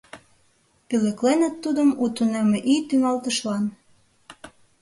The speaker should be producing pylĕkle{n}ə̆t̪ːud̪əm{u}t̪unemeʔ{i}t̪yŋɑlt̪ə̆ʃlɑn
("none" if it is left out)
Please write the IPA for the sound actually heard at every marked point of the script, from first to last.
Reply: n, u, i

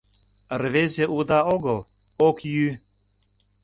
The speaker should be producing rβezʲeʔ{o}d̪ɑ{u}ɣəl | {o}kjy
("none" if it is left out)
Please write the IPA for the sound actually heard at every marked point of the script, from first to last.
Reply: u, o, o

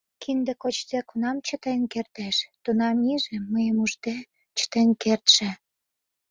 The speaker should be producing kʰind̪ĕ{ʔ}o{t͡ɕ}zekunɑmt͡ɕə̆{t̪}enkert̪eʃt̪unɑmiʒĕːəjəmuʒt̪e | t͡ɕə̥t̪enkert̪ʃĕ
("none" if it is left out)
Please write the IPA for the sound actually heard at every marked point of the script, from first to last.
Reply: k, t͡ɕ, t̪

